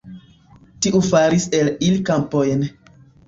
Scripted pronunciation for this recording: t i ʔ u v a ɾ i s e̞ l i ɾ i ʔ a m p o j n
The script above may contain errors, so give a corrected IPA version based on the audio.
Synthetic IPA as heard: t i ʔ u f a ɾ i s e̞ l i l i k a m p o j n